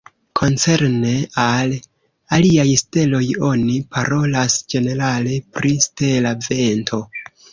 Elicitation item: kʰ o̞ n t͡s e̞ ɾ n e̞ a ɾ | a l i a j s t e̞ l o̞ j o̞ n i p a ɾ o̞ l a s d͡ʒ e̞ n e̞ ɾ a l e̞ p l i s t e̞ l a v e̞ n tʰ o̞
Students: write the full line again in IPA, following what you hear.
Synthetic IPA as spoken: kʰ o̞ n t͡s e̞ ɾ n e̞ a l | a l i a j s t e̞ l o̞ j o̞ n i p a ɾ o̞ l a s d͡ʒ e̞ n e̞ ɾ a l e̞ p ɾ i s t e̞ l a v e̞ n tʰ o̞